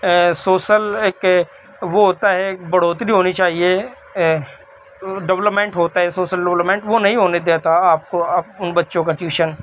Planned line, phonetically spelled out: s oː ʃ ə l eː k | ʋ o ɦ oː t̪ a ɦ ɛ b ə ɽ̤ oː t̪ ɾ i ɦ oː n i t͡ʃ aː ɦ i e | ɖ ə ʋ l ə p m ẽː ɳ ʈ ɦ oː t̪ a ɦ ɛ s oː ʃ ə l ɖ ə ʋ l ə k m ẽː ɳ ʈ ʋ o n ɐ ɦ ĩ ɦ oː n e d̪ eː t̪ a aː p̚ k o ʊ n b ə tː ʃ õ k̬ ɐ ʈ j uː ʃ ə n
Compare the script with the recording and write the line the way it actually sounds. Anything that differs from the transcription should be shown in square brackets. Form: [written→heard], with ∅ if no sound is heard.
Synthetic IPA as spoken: s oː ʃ ə l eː k | ʋ o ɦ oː t̪ a ɦ ɛ b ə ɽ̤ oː t̪ ɾ i ɦ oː n i t͡ʃ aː ɦ i e | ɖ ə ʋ l ə p m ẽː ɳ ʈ ɦ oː t̪ a ɦ ɛ s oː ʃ ə l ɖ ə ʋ l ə [k→p] m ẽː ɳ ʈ ʋ o n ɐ ɦ ĩ ɦ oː n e d̪ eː t̪ a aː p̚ k o ʊ n b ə tː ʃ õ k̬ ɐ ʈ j uː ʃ ə n

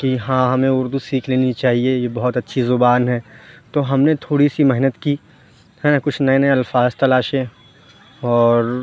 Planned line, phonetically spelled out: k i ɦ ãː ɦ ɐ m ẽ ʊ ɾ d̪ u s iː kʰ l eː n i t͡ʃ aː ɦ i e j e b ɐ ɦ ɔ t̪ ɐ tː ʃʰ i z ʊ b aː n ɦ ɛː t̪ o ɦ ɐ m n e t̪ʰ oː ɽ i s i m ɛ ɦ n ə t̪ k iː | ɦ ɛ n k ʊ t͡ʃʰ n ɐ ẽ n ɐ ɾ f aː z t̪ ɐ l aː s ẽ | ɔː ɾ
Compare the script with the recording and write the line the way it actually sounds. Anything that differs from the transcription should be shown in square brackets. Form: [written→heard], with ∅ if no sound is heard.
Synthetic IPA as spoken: k i ɦ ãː ɦ ɐ m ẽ ʊ ɾ d̪ u s iː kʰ l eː n i t͡ʃ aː ɦ i e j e b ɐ ɦ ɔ t̪ ɐ tː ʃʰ i z ʊ b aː n ɦ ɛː t̪ o ɦ ɐ m n e t̪ʰ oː ɽ i s i m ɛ ɦ n ə t̪ k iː | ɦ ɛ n k ʊ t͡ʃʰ n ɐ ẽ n ɐ [ɾ→l] f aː z t̪ ɐ l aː [s→ʃ] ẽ | ɔː ɾ

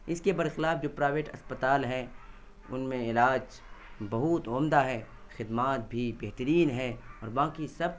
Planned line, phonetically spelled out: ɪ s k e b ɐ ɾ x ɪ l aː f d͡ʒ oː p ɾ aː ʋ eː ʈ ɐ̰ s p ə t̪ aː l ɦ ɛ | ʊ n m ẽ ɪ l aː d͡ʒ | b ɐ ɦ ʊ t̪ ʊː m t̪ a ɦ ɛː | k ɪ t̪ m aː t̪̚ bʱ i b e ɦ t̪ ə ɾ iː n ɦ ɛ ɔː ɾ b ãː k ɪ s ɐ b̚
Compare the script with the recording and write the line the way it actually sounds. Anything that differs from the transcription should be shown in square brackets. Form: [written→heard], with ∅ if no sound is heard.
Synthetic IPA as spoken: ɪ s k e b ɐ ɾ x ɪ l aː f d͡ʒ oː p ɾ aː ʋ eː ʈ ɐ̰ s p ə t̪ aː l ɦ ɛ | ʊ n m ẽ ɪ l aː d͡ʒ | b ɐ ɦ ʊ t̪ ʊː m [t̪→d̪] a ɦ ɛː | [k→x] ɪ [t̪→d̪] m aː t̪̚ bʱ i b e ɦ t̪ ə ɾ iː n ɦ ɛ ɔː ɾ b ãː k [ɪ→i] s ɐ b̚

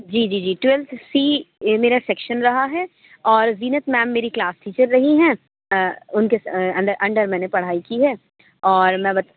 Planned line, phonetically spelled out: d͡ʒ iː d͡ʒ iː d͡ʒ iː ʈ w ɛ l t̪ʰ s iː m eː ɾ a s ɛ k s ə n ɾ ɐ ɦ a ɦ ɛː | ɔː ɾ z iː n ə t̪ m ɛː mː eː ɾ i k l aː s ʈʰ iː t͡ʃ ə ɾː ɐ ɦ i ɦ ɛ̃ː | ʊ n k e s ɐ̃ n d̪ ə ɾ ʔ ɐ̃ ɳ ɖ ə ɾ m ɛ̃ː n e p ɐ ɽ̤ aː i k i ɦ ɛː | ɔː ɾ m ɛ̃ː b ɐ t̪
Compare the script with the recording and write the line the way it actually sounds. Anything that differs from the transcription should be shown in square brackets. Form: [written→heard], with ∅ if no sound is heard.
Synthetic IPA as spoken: d͡ʒ iː d͡ʒ iː d͡ʒ iː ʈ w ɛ l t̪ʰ s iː m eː ɾ a s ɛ k [s→ʃ] ə n ɾ ɐ ɦ a ɦ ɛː | ɔː ɾ z iː n ə t̪ m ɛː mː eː ɾ i k l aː s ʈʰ iː t͡ʃ ə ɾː ɐ ɦ i ɦ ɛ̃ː | ʊ n k e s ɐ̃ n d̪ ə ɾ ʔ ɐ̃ ɳ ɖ ə ɾ m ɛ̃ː n e p ɐ ɽ̤ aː i k i ɦ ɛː | ɔː ɾ m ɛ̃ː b ɐ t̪

